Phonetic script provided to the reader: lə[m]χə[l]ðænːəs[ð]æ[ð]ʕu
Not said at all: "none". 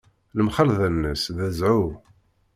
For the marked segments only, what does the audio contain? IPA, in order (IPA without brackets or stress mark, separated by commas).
m, l, ð, z